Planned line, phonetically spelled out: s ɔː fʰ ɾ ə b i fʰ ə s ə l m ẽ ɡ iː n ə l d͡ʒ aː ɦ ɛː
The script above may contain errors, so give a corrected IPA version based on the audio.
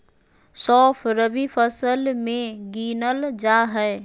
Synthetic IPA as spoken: s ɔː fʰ ɾ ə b i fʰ ə s ə l m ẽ ɡ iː n ə l d͡ʒ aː ɦ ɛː